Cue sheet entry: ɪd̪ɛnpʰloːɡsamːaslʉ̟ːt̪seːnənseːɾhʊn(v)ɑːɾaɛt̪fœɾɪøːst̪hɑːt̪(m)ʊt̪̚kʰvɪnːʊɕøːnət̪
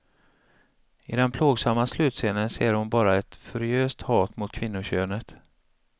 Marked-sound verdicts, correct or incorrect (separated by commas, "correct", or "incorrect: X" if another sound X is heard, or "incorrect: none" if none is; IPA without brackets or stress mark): incorrect: b, correct